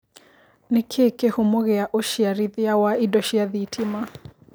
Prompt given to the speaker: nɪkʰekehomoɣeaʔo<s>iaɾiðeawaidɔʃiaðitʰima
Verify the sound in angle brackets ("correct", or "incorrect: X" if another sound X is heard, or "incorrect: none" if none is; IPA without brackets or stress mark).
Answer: incorrect: ʃ